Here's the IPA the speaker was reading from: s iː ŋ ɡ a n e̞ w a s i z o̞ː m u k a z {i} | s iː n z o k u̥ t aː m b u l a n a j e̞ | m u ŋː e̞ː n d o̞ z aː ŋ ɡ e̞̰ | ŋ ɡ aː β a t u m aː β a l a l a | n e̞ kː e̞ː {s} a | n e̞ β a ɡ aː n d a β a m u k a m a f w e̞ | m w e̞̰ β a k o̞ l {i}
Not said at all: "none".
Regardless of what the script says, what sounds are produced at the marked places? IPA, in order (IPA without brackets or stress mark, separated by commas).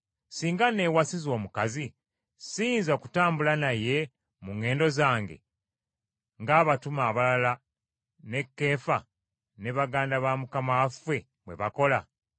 i, f, a